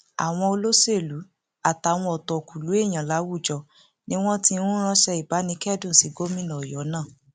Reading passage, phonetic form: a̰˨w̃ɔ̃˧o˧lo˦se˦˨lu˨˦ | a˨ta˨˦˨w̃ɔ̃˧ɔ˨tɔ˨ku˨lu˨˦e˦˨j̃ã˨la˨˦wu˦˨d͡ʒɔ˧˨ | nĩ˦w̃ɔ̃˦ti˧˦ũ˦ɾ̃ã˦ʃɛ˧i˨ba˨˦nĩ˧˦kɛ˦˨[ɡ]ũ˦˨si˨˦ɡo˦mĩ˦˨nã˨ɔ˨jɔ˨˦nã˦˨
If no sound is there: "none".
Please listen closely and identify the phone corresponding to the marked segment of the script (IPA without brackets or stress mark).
d